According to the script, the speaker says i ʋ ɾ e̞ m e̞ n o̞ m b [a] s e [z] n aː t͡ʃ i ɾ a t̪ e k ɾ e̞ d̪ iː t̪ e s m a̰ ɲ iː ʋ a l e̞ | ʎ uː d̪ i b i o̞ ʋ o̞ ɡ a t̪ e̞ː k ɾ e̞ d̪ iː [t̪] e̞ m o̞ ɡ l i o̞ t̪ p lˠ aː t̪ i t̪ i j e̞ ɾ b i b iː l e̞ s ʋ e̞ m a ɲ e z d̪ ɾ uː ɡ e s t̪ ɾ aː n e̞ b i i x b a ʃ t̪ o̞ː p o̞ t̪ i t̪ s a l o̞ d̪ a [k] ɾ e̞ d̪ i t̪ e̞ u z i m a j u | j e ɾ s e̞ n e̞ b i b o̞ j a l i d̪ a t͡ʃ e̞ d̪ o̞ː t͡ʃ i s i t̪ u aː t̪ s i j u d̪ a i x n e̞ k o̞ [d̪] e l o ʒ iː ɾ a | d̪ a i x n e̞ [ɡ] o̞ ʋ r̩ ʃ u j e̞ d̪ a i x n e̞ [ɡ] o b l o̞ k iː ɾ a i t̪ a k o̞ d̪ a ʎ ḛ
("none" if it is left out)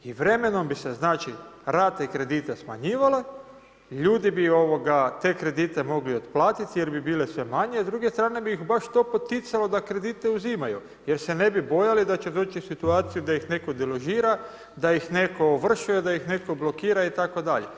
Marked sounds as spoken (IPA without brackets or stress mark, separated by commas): i, z, t̪, k, d̪, k, k